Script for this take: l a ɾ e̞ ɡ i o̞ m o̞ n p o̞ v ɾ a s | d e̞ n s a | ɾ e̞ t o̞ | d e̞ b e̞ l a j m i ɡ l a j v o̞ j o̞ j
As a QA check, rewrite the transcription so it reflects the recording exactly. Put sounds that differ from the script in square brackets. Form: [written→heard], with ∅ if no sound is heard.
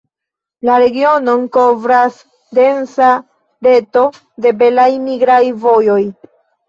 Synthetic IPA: l a ɾ e̞ ɡ i o̞ [m→n] o̞ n [p→k] o̞ v ɾ a s | d e̞ n s a | ɾ e̞ t o̞ | d e̞ b e̞ l a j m i ɡ [l→ɾ] a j v o̞ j o̞ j